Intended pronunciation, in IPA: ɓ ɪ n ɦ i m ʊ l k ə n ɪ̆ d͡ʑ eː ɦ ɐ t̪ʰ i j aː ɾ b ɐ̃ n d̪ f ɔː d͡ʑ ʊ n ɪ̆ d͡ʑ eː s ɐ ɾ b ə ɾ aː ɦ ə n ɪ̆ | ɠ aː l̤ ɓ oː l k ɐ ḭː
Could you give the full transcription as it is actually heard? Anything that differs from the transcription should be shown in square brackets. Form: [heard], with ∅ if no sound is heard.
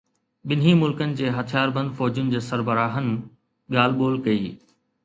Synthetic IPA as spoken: ɓ ɪ n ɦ i m ʊ l k ə n ɪ̆ d͡ʑ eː ɦ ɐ t̪ʰ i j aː ɾ b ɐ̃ n d̪ f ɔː d͡ʑ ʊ n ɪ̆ d͡ʑ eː s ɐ ɾ b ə ɾ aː ɦ ə n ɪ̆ | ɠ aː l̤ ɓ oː l k ɐ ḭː